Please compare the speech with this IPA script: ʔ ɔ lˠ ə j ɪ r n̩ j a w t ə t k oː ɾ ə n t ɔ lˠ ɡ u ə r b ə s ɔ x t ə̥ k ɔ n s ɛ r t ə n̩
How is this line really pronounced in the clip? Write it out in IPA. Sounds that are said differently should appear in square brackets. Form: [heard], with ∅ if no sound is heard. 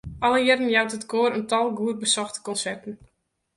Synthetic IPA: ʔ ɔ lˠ ə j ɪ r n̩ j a w t ə t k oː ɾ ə n t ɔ lˠ ɡ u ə r b ə s ɔ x t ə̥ k ɔ n s ɛ r t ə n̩